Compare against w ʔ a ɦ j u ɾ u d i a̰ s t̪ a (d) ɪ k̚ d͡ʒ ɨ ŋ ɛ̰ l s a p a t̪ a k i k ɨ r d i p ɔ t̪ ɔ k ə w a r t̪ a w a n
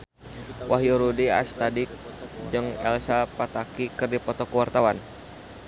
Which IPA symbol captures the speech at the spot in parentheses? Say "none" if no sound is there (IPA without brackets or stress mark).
d